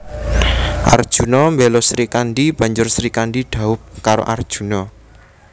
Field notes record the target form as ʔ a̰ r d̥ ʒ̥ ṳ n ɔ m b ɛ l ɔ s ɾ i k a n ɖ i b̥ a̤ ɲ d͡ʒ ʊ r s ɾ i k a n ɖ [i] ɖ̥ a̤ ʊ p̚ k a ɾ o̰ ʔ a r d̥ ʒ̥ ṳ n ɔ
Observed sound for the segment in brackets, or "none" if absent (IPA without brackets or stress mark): i